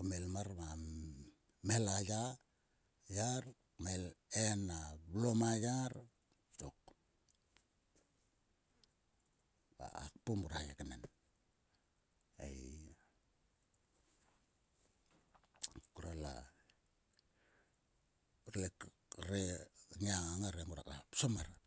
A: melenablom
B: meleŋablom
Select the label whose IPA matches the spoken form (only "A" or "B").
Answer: A